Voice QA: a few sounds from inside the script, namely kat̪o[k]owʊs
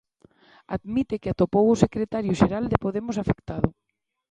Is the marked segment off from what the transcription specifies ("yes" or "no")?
yes